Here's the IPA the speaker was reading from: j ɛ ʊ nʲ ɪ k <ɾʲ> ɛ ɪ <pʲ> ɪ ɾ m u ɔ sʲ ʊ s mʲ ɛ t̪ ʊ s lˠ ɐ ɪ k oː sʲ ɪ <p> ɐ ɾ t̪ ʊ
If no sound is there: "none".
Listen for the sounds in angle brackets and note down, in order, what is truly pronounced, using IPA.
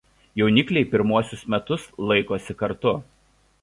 lʲ, pʲ, k

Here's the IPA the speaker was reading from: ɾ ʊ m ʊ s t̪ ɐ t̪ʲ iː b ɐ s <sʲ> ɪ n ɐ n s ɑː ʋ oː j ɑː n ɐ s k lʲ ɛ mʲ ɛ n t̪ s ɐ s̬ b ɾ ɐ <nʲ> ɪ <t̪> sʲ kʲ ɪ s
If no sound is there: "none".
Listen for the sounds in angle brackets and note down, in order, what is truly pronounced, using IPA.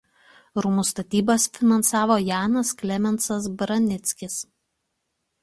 fʲ, nʲ, t̪

